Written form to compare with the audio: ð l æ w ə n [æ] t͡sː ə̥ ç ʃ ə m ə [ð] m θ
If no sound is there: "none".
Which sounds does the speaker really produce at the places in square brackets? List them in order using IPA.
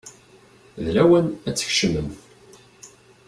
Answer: æ, none

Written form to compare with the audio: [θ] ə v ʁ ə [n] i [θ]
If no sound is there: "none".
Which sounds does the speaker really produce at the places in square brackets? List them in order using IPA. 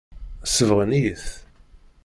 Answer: s, n, θ

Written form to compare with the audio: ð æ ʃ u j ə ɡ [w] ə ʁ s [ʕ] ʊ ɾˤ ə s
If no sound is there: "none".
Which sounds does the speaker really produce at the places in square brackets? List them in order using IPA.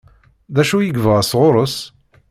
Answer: v, ʁ

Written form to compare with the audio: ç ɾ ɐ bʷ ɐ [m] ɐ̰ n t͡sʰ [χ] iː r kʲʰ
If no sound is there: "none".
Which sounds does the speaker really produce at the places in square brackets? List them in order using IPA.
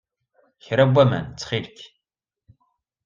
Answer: m, χ

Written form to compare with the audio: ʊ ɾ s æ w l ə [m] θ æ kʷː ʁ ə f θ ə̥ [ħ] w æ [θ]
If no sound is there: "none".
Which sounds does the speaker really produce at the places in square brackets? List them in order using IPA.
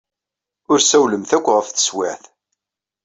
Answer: m, s, θ

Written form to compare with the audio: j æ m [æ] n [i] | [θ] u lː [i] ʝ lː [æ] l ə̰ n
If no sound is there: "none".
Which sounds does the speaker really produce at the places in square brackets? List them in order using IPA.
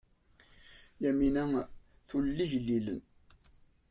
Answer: i, æ, θ, i, i

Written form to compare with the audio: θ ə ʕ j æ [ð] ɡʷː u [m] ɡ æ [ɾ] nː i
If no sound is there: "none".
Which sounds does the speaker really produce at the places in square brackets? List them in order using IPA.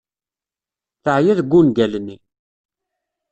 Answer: ð, n, l

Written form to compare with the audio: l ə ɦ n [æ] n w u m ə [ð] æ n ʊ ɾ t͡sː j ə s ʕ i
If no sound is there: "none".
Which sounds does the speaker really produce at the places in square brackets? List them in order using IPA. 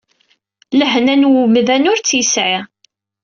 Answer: æ, ð

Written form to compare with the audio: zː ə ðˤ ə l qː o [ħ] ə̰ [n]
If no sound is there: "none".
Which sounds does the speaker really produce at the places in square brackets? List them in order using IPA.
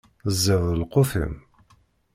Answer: f, m

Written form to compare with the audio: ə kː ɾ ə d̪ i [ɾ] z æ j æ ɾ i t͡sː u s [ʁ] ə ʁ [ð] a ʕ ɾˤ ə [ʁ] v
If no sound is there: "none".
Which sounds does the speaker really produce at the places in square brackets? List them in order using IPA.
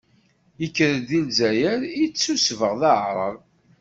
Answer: l, v, ð, none

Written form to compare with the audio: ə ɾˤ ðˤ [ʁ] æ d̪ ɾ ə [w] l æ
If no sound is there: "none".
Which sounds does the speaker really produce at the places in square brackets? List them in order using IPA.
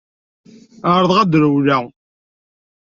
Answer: ʁ, w

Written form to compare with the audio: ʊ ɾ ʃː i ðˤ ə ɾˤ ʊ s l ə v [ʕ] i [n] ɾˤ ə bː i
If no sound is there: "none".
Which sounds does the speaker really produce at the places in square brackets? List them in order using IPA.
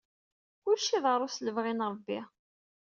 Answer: ʁ, n

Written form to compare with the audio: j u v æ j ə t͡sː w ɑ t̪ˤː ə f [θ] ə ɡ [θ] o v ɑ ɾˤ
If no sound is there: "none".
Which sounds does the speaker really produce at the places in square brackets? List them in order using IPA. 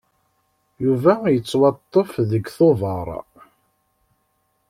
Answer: ð, θ

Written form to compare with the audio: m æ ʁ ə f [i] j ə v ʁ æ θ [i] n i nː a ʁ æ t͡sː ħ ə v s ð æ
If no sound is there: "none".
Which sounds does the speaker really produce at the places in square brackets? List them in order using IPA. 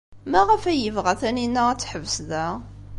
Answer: æ, æ

